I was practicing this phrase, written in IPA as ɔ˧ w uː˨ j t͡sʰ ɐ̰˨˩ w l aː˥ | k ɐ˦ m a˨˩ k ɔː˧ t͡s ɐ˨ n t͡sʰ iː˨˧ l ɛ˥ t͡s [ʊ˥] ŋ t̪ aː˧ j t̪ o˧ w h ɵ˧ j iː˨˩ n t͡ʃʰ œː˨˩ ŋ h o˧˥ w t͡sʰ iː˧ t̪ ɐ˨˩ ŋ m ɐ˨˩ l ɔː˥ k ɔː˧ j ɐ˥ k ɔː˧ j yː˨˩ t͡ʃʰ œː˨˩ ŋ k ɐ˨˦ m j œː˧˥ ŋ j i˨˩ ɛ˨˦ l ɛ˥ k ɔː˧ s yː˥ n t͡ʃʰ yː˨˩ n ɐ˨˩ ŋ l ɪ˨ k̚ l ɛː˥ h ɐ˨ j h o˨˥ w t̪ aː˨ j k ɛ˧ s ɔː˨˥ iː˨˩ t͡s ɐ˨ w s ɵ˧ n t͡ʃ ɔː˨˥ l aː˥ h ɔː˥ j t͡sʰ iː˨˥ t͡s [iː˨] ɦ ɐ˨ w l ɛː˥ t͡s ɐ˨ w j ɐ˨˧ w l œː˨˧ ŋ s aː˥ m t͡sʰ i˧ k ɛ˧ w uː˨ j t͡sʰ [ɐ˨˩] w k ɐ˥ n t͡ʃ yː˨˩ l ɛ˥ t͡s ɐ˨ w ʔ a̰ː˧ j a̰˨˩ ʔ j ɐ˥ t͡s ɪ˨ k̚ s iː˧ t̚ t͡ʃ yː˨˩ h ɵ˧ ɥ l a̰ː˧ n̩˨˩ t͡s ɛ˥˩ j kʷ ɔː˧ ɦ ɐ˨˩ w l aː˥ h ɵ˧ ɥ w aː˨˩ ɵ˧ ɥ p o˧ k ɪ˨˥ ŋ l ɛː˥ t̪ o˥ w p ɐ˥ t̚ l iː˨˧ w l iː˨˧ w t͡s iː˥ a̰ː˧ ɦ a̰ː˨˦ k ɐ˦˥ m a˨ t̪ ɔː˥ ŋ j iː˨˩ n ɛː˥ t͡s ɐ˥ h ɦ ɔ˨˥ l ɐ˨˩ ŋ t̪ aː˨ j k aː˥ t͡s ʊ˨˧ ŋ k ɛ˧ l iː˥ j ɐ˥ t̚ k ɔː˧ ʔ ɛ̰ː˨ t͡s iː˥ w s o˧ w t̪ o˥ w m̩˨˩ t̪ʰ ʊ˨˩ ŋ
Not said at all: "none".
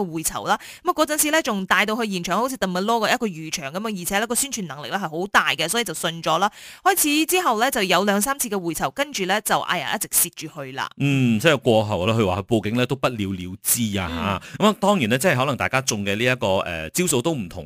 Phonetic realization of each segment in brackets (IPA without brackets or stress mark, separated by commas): ʊ˨, iː˥, ɐ˨˩